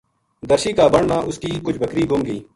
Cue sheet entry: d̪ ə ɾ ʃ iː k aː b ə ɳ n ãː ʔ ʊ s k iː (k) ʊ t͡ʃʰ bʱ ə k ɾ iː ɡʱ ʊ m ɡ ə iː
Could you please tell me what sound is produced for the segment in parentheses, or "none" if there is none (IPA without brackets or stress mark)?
k